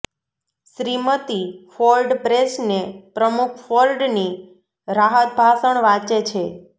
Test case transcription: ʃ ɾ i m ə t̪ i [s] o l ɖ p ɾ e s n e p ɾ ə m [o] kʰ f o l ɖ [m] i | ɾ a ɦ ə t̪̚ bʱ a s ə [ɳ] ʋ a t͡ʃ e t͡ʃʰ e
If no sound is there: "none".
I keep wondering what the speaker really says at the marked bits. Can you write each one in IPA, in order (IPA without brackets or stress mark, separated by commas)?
f, u, n, ɳ